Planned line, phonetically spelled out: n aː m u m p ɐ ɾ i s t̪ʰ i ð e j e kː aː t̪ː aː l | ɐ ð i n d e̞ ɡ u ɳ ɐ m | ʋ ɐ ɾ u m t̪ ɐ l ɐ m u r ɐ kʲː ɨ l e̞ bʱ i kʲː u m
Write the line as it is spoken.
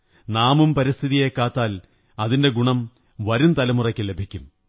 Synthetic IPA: n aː m u m p ɐ ɾ i s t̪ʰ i ð i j e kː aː t̪ː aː l | ɐ ð i n d e̞ ɡ u ɳ ɐ m | ʋ ɐ ɾ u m t̪ ɐ l ɐ m u r ɐ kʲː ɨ l e̞ bʱ i kʲː u m